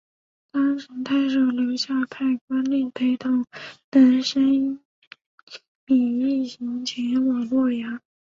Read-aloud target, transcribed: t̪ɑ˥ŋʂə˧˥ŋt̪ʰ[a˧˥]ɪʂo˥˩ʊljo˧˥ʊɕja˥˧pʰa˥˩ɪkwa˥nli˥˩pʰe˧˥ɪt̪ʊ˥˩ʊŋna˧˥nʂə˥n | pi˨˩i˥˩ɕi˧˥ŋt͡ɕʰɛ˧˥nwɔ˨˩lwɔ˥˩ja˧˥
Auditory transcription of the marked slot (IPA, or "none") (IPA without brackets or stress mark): a˥˩